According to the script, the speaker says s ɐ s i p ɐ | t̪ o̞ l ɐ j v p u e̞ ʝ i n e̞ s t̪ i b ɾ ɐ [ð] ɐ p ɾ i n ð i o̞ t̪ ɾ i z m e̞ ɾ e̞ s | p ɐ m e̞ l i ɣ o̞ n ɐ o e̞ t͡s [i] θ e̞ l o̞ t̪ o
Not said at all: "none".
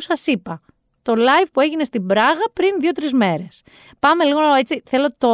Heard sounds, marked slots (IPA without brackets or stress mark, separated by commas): ɣ, i